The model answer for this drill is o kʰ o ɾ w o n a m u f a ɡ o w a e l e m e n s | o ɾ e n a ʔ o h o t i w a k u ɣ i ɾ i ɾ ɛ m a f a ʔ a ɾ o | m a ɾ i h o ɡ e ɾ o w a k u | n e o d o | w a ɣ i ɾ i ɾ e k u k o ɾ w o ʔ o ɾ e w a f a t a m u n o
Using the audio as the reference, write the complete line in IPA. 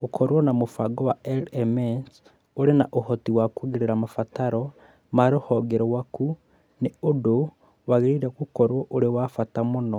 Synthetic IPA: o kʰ o ɾ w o n a m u f a ɡ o w a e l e m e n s | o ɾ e n a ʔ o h o t i w a k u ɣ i ɾ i ɾ a m a f a t a ɾ o | m a ɾ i h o ɡ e ɾ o w a k u | n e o d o | w a ɣ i ɾ i ɾ e k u k o ɾ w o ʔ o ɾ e w a f a t a m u n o

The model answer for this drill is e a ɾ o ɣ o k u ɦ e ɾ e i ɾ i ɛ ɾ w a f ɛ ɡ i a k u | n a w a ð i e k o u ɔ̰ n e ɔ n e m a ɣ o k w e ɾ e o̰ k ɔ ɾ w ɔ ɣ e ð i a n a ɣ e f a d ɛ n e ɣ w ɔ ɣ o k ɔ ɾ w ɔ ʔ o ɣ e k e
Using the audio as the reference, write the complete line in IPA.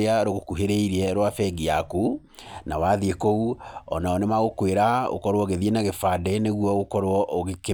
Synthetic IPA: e a ɾ o ɣ o k u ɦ e ɾ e i ɾ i ɛ ɾ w a f ɛ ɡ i a k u | n a w a ð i e k o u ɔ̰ n a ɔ n e m a ɣ o k w e ɾ a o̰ k ɔ ɾ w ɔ ɣ e ð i e n a ɣ e f a d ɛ n e ɣ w ɔ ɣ o k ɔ ɾ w ɔ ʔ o ɣ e k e

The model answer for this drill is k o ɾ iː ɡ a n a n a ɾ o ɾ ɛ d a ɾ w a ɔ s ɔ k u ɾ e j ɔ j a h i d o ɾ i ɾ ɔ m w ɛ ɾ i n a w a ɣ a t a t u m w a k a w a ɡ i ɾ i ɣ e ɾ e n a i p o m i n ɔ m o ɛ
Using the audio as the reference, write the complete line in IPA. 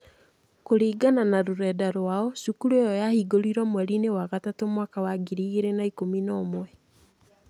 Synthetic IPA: k o ɾ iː ɡ a n a n a ɾ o ɾ ɛ d a ɾ w a ɔ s u k u ɾ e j ɔ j a h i ɡ o ɾ i ɾ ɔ m w ɛ ɾ i n e w a ɣ a t a t o m w a k a w a ɡ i ɾ i ɣ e ɾ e n a i k o m i n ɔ m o ɛ

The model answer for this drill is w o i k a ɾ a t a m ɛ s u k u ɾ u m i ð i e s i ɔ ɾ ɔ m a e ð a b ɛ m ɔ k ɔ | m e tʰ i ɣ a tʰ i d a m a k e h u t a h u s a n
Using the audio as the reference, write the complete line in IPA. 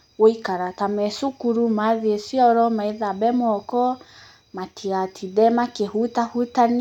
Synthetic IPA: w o i k a ɾ a t a m ɛ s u k u ɾ u m a ð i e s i ɔ ɾ ɔ m a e ð a b ɛ m ɔ k ɔ | m a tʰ i ɣ a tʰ i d ɛ m a k e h u t a h u t a n

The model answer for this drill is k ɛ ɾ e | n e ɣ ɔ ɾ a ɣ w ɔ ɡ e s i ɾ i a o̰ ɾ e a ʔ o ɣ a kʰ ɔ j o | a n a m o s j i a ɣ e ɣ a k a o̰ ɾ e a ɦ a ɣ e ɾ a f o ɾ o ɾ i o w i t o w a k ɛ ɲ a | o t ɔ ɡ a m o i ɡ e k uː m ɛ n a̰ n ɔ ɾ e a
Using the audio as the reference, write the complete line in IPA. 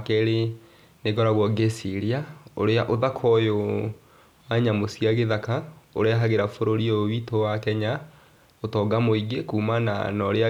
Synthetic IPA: k ɛ ɾ e | n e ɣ ɔ ɾ a ɣ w ɔ ɡ e s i ɾ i a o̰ ɾ e a ʔ o ð a kʰ ɔ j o | a ɲ a m o s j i a ɣ e ð a k a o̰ ɾ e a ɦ a ɣ e ɾ a f o ɾ o ɾ i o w i t o w a k ɛ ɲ a | o t ɔ ɡ a m o i ɡ e k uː m a n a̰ n ɔ ɾ e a

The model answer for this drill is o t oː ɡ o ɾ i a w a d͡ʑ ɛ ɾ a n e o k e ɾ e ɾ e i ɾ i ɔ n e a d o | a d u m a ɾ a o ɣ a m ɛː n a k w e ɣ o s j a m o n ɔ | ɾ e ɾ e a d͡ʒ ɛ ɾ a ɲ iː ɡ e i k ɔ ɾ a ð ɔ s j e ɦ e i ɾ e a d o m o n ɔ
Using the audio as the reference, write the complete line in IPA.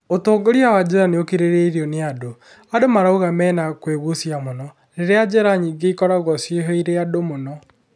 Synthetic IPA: o t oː ɡ o ɾ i a w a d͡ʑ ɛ ɾ a n e o k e ɾ e ɾ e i ɾ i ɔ n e a d o | a d o m a ɾ a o ɣ a m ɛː n a k w e ɣ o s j a m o n ɔ | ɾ e ɾ e a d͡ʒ ɛ ɾ a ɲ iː ɡ e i k ɔ ɾ a ɣ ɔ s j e ɦ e i ɾ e a d o m o n ɔ

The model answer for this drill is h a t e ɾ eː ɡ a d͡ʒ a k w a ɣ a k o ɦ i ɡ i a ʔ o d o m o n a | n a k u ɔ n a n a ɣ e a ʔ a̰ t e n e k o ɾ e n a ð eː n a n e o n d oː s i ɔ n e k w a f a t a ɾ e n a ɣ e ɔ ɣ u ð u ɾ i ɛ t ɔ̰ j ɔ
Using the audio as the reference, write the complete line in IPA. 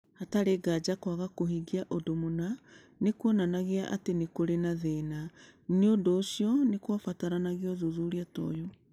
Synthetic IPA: h a t a ɾ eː ɡ a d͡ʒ a k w a ɣ a k o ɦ i ɡ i a ʔ o d o m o n a | n e k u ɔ n a n a ɣ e a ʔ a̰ t e n e k o ɾ e n a ð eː n a n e o n d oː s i ɔ n e k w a f a t a ɾ a n a ɣ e ɔ ð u ð u ɾ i a t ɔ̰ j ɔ

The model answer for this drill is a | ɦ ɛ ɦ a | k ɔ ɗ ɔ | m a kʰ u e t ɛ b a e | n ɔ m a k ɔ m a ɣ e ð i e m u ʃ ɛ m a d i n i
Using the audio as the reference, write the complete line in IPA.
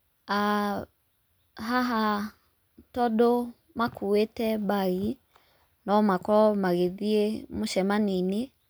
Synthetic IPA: a | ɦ a ɦ a | t ɔ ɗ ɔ | m a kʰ u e t ɛ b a i | n ɔ m a k ɔ m a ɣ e ð i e m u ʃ ɛ m a n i n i

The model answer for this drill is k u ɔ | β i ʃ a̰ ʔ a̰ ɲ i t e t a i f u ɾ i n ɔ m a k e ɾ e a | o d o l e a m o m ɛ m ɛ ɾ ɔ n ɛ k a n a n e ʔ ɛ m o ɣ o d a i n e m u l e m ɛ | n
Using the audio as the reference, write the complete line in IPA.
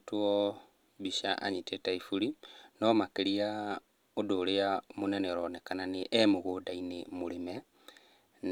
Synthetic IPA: t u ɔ | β i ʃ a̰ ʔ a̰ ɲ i t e t a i f u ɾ i n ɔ m a k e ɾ i a | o d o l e a m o n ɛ n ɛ ɾ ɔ n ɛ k a n a n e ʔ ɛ m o ɣ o d a i n e m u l e m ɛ | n

